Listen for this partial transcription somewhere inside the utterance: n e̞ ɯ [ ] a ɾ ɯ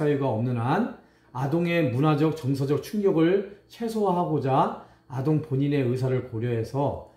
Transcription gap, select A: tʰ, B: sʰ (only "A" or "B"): B